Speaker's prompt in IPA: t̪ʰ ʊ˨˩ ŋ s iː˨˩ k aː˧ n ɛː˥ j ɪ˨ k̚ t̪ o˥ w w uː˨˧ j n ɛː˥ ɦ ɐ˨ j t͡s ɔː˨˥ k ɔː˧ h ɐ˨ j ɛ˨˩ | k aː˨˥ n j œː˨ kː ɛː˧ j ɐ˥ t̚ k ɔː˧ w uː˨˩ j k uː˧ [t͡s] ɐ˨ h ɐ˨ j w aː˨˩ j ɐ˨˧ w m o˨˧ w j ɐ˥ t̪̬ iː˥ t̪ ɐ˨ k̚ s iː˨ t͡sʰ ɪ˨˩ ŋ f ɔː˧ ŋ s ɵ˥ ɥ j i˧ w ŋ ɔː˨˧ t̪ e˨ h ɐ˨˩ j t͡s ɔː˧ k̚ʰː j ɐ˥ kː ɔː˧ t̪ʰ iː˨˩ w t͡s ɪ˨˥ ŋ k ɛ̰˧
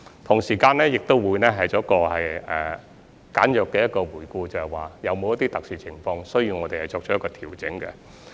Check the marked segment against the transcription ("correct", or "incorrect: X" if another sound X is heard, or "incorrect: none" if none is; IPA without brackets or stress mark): correct